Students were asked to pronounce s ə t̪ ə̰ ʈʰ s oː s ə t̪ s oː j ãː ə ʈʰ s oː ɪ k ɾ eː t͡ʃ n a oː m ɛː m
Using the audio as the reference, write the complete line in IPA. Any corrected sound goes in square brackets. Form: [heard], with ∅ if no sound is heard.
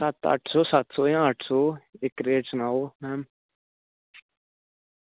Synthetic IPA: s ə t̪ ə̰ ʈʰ s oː s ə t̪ s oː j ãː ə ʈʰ s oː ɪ k ɾ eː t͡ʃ n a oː m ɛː m

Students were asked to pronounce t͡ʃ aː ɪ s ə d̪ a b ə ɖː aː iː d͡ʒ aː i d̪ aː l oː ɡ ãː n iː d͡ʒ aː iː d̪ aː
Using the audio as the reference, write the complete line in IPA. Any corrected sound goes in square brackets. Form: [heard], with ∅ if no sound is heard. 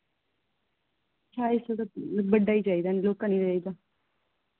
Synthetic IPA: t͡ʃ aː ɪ s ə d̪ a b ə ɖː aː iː d͡ʒ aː i d̪ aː l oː [k] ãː n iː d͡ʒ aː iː d̪ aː

